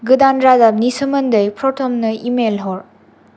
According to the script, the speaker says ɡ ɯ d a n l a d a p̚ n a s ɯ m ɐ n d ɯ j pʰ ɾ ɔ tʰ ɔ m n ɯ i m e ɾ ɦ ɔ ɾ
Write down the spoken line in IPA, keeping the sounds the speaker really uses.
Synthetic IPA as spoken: ɡ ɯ d a n ɾ a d a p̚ n i s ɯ m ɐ n d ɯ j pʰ ɾ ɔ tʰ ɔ m n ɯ i m e l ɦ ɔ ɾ